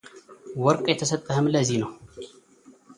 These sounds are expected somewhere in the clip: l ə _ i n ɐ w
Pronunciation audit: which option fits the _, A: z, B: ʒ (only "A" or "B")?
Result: A